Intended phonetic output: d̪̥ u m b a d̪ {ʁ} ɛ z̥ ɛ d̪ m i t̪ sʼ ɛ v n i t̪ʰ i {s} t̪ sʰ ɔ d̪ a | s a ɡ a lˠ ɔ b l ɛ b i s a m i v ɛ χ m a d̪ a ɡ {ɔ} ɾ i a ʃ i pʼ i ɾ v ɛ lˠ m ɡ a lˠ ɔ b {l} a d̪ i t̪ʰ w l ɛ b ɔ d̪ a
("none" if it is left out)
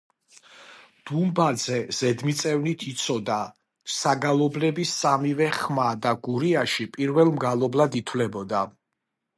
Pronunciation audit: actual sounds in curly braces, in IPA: z, none, u, l

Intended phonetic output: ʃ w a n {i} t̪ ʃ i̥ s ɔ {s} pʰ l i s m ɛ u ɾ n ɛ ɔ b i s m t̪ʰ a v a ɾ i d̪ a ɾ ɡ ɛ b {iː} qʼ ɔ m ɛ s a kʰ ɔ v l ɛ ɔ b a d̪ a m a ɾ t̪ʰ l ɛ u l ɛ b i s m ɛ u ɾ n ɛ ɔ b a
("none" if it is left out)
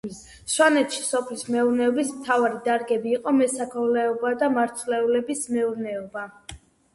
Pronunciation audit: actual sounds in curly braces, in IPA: ɛ, none, iː

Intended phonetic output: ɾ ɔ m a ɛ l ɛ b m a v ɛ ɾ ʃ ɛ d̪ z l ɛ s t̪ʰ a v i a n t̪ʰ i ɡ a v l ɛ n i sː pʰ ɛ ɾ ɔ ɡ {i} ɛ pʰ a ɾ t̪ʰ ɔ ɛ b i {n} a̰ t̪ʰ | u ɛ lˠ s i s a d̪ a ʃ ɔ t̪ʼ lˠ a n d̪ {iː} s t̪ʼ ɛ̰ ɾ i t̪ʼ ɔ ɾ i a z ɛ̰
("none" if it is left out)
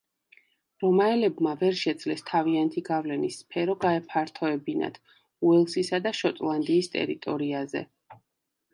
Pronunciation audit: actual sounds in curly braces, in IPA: a, n, iː

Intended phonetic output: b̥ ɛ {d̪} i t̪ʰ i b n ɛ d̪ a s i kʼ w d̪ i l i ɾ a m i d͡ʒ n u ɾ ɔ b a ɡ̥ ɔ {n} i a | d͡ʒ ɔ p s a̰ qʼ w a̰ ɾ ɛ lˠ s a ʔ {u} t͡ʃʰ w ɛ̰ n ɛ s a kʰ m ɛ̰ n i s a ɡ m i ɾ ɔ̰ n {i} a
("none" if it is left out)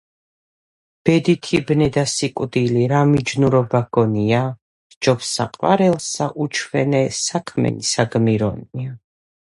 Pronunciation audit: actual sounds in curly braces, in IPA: d̪, n, u, i

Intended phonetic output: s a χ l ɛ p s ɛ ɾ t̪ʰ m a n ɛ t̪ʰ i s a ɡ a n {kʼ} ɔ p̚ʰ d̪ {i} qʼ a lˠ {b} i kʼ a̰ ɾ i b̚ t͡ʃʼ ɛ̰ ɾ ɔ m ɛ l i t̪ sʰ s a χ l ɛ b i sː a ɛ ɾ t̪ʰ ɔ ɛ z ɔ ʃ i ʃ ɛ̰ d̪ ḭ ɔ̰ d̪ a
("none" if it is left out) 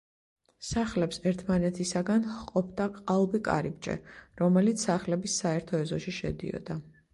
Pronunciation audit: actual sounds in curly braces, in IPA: qʼ, a, b

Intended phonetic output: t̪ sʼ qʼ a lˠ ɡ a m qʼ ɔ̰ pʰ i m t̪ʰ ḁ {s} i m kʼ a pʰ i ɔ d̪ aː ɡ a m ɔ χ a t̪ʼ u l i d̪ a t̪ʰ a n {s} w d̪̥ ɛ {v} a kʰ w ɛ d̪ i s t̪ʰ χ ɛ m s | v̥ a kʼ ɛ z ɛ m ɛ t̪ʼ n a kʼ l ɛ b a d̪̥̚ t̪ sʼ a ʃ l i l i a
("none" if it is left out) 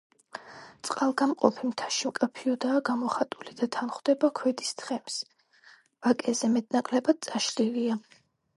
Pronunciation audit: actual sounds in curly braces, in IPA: ʃ, χ, b

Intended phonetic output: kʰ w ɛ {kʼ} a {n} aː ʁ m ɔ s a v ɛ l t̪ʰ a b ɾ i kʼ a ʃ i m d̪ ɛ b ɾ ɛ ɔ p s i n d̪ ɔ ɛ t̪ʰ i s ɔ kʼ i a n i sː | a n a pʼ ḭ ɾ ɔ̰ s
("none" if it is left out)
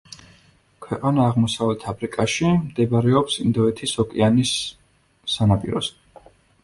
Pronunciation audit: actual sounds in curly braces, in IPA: qʼ, n

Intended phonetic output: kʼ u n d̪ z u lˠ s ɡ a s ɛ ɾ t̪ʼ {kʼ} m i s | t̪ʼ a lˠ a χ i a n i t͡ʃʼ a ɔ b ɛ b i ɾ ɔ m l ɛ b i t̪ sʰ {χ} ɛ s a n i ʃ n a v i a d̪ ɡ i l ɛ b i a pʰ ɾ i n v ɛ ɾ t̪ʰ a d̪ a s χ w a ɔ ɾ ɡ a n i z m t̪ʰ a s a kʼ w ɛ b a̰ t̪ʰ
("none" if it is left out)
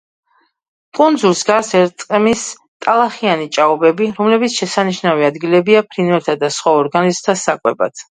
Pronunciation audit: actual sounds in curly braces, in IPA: qʼ, ʃ

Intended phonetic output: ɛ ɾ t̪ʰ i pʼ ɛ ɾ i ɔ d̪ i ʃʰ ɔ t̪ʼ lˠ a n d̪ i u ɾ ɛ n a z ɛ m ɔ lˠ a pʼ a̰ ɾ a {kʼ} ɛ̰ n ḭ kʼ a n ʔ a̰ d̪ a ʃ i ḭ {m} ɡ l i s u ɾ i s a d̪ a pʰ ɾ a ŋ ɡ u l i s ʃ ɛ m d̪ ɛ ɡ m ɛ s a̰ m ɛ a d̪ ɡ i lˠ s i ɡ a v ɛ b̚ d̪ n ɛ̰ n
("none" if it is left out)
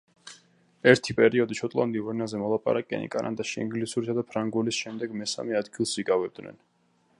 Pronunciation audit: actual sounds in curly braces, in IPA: kʼ, ŋ

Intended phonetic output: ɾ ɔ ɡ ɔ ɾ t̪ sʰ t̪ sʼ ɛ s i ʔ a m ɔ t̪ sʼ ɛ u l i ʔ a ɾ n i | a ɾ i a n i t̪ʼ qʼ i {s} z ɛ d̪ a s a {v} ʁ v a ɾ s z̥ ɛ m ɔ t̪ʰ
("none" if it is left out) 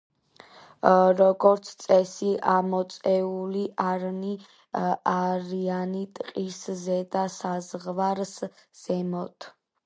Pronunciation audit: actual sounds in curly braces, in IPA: s, z

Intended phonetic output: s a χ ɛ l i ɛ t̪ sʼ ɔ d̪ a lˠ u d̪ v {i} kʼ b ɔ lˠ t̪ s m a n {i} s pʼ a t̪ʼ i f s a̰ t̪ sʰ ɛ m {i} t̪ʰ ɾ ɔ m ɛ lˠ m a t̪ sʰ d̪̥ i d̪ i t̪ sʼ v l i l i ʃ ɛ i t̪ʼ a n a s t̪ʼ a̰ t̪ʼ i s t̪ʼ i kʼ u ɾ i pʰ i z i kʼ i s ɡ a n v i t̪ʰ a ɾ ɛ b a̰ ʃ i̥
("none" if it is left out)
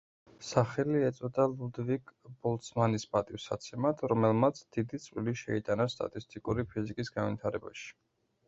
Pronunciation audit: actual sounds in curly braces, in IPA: i, i, a

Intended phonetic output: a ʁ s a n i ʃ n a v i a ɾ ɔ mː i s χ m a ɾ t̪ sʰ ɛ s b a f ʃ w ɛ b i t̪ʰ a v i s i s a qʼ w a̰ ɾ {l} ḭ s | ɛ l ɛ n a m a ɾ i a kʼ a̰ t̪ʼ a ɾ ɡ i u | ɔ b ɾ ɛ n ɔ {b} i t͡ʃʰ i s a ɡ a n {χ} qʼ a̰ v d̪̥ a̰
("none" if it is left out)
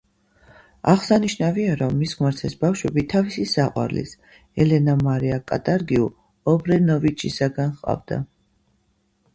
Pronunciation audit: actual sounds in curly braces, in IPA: l, v, χ

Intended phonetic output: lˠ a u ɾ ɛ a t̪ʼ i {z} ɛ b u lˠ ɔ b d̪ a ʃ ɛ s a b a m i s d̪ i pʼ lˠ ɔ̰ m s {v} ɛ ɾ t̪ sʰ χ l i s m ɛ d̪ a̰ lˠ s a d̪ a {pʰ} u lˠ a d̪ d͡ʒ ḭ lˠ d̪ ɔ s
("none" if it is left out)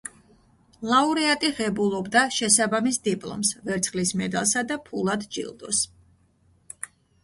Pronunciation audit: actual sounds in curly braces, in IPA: ʁ, v, pʰ

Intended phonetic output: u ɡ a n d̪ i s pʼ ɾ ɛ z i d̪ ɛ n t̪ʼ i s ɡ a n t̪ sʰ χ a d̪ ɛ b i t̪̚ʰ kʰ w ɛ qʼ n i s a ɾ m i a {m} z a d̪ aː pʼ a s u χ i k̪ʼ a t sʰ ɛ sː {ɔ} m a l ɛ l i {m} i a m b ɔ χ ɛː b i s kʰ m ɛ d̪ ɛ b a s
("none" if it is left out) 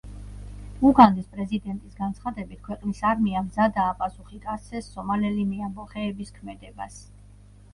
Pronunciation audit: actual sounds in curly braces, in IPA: m, ɔ, m

